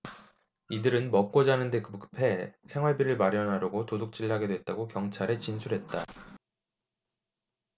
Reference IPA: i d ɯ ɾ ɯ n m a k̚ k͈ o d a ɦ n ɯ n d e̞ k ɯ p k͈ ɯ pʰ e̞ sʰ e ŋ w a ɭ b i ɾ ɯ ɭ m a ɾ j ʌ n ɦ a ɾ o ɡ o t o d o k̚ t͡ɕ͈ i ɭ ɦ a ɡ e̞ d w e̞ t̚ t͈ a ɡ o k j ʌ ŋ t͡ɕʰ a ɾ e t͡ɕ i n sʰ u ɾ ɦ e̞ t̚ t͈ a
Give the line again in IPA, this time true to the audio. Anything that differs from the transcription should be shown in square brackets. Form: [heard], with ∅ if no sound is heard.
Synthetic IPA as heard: i d ɯ ɾ ɯ n m [ʌ] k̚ k͈ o [d͡ʑ] a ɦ n ɯ n d e̞ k ɯ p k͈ ɯ pʰ e̞ sʰ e ŋ w a ɭ b i ɾ ɯ ɭ m a ɾ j ʌ n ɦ a ɾ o ɡ o t o d o k̚ t͡ɕ͈ i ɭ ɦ a ɡ e̞ d w e̞ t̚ t͈ a ɡ o k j ʌ ŋ t͡ɕʰ a ɾ e t͡ɕ i n sʰ u ɾ ɦ e̞ t̚ t͈ a